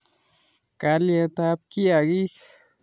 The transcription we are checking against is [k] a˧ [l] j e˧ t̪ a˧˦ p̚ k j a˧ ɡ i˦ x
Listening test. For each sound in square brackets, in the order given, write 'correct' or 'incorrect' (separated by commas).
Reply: correct, correct